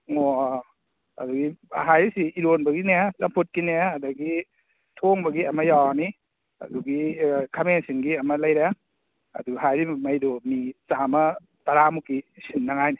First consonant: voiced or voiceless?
voiced